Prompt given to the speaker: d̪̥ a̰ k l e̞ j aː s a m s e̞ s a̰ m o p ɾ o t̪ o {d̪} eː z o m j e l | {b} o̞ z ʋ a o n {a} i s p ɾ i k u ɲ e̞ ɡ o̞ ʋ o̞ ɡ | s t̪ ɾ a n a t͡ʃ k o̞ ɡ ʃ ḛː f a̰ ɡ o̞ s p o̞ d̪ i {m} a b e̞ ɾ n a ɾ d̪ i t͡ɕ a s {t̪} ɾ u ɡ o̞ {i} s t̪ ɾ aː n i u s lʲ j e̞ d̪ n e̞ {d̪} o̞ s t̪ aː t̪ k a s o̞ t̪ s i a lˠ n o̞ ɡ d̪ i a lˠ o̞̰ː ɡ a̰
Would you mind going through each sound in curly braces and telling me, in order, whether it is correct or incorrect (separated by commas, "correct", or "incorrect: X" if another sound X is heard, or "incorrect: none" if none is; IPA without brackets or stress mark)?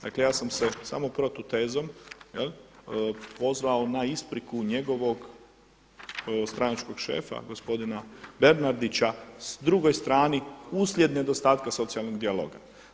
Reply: incorrect: t̪, incorrect: p, correct, incorrect: n, incorrect: d̪, incorrect: j, correct